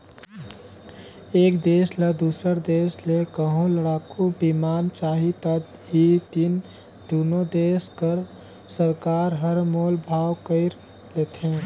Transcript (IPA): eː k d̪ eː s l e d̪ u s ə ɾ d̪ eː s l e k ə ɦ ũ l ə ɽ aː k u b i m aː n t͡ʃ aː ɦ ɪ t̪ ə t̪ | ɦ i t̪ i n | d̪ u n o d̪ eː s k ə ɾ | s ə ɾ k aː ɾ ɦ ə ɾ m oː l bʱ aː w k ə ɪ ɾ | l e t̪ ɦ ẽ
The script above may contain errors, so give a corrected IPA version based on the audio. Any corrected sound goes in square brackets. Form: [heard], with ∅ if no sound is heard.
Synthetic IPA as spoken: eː k d̪ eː s l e d̪ u s ə ɾ d̪ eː s l e k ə ɦ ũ l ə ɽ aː k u b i m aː n t͡ʃ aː ɦ [i] t̪ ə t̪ | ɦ i t̪ i n | d̪ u n o d̪ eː s k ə ɾ | s ə ɾ k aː ɾ ɦ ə ɾ m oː l bʱ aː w k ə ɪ ɾ | l e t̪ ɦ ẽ